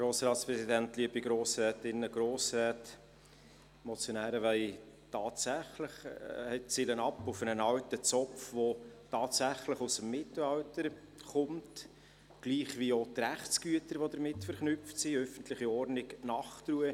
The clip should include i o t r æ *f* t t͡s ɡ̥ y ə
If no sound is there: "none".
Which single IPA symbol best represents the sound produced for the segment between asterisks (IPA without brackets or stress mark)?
χ